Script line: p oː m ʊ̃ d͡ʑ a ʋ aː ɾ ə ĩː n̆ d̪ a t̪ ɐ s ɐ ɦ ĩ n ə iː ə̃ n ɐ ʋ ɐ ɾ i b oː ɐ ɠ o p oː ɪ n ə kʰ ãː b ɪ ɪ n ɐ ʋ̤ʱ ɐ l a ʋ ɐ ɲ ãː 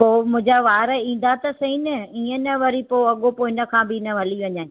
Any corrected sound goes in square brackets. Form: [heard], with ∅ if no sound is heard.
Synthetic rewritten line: p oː m ʊ̃ d͡ʑ a ʋ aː ɾ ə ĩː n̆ d̪ a t̪ ɐ s ɐ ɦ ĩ n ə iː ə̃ n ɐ ʋ ɐ ɾ i [p] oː ɐ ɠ o p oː ɪ n ə kʰ ãː b ɪ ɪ n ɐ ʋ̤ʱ ɐ l [i] ʋ ɐ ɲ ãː